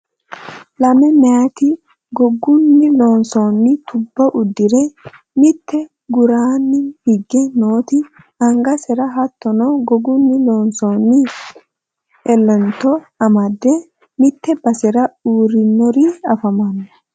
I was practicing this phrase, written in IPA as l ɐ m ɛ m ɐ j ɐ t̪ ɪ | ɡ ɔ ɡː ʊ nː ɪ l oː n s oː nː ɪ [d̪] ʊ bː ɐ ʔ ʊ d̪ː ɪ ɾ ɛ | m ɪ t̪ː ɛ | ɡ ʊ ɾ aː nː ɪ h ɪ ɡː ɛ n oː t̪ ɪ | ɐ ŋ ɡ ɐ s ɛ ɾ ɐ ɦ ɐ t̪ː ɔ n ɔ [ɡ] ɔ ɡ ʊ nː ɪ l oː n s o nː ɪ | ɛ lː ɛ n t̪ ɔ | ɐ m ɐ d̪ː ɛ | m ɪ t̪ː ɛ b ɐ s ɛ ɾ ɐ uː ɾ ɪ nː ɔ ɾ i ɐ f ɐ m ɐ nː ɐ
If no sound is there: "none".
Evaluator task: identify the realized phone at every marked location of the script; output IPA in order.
t̪, ɡ

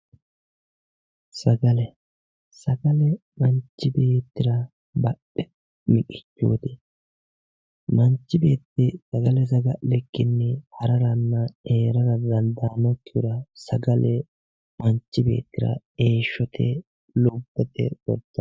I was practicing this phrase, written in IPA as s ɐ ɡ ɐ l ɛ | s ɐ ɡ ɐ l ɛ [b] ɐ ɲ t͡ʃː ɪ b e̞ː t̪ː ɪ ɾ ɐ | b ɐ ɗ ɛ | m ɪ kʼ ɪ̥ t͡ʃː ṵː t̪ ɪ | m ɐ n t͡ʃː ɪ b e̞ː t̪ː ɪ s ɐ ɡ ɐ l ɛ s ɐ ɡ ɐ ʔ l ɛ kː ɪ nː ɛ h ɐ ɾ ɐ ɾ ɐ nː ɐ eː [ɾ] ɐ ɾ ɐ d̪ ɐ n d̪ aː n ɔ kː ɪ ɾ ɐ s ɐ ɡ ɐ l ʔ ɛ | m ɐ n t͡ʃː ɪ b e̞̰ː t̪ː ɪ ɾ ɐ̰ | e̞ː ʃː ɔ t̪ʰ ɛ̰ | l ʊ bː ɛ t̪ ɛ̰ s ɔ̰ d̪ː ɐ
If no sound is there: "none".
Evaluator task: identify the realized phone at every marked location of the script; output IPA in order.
m, ɾ

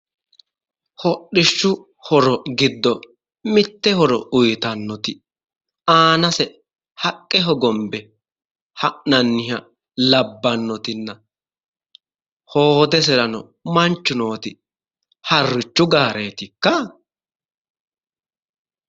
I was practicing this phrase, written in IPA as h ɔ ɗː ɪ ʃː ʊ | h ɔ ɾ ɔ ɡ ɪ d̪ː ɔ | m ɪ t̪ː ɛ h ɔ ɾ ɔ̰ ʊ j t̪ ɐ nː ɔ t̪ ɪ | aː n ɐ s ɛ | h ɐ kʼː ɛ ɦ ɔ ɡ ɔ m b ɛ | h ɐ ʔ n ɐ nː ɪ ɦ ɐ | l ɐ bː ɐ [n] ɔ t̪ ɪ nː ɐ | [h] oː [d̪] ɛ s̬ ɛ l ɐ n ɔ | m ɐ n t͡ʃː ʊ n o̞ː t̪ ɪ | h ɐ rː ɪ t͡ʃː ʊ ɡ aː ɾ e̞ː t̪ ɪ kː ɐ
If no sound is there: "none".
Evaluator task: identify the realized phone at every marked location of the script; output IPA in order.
nː, h, d̪

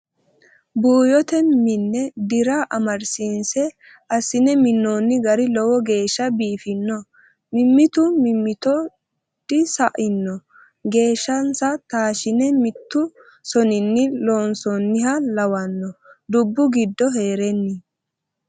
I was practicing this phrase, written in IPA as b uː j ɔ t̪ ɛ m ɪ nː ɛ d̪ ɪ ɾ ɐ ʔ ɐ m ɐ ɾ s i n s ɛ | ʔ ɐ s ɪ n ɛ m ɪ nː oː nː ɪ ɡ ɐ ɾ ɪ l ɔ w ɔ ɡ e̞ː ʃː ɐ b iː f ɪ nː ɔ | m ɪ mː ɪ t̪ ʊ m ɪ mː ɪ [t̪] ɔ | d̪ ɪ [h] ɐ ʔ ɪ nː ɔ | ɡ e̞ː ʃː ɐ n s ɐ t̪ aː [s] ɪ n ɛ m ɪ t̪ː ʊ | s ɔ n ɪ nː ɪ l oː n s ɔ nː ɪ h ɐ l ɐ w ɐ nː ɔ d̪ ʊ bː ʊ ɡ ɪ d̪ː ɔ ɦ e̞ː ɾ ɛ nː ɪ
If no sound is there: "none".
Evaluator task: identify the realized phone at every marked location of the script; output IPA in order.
t̪, s, ʃ

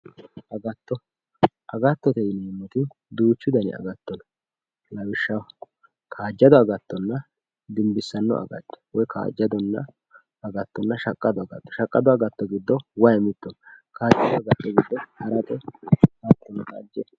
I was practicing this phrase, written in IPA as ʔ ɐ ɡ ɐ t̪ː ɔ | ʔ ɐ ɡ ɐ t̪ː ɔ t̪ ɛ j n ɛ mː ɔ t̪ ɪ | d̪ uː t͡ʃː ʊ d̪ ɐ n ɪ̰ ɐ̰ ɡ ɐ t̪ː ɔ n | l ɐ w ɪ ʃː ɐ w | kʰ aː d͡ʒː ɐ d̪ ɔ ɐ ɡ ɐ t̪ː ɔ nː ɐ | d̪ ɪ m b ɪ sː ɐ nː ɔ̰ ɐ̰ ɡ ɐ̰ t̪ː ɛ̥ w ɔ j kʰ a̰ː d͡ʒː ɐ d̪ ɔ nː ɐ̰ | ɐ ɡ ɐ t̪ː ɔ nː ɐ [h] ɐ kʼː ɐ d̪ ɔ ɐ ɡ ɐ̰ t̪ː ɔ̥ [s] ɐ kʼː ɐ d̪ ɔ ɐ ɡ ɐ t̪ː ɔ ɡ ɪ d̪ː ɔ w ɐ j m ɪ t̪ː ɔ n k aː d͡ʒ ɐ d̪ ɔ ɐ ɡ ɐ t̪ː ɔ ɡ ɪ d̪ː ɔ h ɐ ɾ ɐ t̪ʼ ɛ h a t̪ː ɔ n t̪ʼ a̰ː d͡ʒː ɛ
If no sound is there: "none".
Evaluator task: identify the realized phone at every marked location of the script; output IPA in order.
ʃ, ʃ

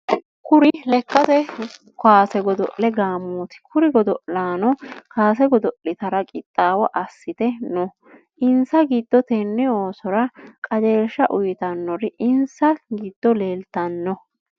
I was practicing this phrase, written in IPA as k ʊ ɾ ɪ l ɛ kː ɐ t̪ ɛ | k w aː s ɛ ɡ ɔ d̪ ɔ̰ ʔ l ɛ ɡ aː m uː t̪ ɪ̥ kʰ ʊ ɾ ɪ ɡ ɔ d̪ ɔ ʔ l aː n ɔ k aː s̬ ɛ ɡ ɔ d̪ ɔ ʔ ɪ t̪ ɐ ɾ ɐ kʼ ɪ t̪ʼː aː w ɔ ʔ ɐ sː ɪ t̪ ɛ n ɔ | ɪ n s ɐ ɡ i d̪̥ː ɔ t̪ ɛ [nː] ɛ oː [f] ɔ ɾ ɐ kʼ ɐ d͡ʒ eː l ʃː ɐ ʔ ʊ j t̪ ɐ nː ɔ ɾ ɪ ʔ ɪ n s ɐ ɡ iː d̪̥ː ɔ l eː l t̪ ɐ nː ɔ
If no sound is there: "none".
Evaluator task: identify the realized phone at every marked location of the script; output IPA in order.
nː, s

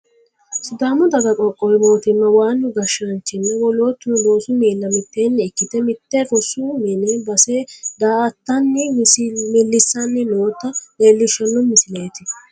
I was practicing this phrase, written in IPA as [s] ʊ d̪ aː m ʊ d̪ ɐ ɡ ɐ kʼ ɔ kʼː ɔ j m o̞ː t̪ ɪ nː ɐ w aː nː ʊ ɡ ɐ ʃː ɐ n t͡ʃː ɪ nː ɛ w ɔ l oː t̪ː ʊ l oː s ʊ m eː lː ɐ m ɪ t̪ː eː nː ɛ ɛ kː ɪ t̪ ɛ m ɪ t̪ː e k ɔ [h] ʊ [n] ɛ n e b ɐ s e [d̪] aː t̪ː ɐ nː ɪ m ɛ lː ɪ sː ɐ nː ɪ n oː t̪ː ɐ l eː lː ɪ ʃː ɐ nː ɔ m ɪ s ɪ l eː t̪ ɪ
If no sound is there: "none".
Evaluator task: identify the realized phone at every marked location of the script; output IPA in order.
s, s, m, d̪

